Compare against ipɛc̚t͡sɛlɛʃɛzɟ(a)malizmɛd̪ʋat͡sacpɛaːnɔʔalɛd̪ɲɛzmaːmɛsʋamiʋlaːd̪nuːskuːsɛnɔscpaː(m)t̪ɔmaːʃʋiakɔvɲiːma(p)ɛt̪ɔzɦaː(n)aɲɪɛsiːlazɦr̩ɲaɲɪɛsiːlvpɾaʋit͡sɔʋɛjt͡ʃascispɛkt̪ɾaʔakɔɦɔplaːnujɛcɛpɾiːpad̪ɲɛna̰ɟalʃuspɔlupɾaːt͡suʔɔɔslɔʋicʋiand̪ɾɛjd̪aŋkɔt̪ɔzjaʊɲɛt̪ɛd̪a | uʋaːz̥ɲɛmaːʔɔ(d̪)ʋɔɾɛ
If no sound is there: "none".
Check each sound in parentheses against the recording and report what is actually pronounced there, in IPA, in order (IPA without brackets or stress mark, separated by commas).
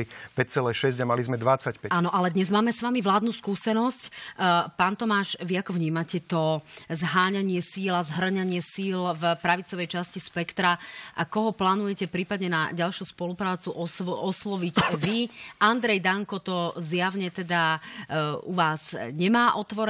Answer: a, n, c, ɲ, t̪